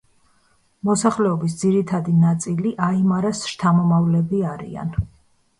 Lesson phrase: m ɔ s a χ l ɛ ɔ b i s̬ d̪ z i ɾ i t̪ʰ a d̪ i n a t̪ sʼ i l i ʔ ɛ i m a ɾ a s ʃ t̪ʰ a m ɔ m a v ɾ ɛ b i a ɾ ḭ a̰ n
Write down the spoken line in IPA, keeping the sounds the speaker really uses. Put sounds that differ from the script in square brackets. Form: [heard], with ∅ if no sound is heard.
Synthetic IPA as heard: m ɔ s a χ l ɛ ɔ b i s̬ d̪ z i ɾ i t̪ʰ a d̪ i n a t̪ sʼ i l i ʔ [a] i m a ɾ a s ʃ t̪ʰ a m ɔ m a v [l] ɛ b i a ɾ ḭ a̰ n

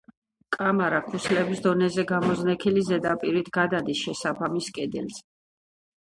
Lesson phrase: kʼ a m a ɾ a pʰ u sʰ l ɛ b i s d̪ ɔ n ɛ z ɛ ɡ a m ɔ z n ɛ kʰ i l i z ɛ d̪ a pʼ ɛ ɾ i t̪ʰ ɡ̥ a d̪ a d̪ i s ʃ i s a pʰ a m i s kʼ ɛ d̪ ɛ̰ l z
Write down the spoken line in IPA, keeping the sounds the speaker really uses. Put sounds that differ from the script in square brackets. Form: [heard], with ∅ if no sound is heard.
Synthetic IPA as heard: kʼ a m a ɾ a [kʰ] u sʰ l ɛ b i s d̪ ɔ n ɛ z ɛ ɡ a m ɔ z n ɛ kʰ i l i z ɛ d̪ a pʼ [i] ɾ i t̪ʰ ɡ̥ a d̪ a d̪ i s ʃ [ɛ] s a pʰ a m i s kʼ ɛ d̪ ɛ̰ l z

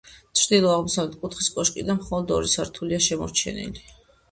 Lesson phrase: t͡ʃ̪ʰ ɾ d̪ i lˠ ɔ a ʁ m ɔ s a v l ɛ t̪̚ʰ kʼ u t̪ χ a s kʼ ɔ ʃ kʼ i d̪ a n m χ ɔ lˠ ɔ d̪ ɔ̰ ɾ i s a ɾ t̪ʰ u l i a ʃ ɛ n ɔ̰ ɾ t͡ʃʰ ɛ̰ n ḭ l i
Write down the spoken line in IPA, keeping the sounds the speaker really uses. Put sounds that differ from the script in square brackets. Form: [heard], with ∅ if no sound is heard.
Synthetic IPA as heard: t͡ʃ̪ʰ ɾ d̪ i lˠ ɔ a ʁ m ɔ s a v l ɛ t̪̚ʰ kʼ u t̪ χ [i] s kʼ ɔ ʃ kʼ i d̪ a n m χ ɔ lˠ ɔ d̪ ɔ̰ ɾ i s a ɾ t̪ʰ u l i a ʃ ɛ [m] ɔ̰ ɾ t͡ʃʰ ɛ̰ n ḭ l i

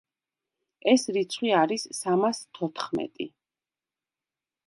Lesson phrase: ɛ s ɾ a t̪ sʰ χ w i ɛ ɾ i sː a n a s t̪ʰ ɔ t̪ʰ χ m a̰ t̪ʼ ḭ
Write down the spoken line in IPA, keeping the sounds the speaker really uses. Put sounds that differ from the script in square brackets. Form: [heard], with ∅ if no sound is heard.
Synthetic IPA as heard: ɛ s ɾ [i] t̪ sʰ χ w i [a] ɾ i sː a [m] a s t̪ʰ ɔ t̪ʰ χ m [ɛ̰] t̪ʼ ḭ

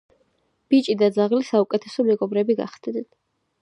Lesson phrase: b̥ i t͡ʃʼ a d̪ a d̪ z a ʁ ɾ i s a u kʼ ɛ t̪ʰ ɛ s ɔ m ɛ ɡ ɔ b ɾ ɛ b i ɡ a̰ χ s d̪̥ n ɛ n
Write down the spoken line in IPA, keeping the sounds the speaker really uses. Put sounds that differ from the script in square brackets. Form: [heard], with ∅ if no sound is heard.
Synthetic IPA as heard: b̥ i t͡ʃʼ [i] d̪ a d̪ z a ʁ [l] i s a u kʼ ɛ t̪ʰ ɛ s ɔ m ɛ ɡ ɔ b ɾ ɛ b i ɡ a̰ χ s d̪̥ n ɛ n

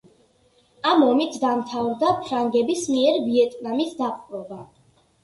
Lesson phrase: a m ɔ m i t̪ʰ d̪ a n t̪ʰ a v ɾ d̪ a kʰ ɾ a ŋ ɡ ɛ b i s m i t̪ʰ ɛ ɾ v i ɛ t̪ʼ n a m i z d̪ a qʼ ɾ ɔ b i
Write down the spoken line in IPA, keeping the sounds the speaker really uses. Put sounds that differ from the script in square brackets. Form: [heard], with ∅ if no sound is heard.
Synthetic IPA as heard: a m ɔ m i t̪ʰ d̪ a [m] t̪ʰ a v ɾ d̪ a [pʰ] ɾ a ŋ ɡ ɛ b i s m i [∅] ɛ ɾ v i ɛ t̪ʼ n a m i [s] d̪ a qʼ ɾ ɔ b [a]

